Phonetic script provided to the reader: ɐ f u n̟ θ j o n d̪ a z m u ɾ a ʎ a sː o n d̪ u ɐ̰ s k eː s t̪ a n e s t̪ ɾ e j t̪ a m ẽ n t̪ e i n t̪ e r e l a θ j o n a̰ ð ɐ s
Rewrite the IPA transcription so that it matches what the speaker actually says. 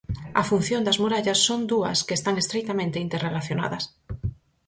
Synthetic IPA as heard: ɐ f u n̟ θ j o n d̪ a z m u ɾ a ʎ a sː o n d̪ u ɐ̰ s k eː s t̪ a ŋ e s t̪ ɾ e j t̪ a m ẽ n t̪ e i n t̪ e r e l a θ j o n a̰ ð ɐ s